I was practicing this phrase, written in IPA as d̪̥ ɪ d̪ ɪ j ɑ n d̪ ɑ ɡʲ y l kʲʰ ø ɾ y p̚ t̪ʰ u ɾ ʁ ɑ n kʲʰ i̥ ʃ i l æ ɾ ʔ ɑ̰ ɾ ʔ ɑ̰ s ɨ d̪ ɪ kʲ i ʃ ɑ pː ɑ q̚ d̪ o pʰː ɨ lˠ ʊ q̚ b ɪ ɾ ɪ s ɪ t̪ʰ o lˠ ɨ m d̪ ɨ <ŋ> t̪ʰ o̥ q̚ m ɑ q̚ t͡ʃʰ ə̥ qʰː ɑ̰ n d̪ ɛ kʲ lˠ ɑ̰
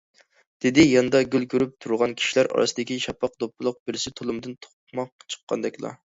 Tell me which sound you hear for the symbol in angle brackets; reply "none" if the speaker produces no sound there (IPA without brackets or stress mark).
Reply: n